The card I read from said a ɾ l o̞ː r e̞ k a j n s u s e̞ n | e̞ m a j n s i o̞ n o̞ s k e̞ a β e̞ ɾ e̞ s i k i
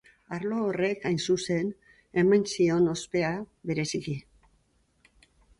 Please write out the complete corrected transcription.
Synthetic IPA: a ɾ l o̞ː r e̞ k a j n s u s e̞ n | e̞ m a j n s i o̞ n o̞ s p e̞ a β e̞ ɾ e̞ s i k i